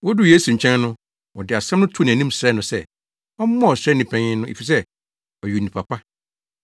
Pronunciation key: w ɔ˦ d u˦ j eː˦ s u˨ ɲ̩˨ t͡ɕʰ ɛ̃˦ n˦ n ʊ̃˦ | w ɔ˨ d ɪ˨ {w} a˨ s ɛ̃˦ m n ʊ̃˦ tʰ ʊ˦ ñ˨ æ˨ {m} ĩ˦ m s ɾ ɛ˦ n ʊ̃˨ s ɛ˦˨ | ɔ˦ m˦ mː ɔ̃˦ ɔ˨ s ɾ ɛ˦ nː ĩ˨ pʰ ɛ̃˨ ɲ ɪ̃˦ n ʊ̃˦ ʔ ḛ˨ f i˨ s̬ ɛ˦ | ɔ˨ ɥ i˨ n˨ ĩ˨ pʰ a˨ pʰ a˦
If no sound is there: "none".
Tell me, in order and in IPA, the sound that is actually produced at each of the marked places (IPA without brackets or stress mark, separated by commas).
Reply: none, n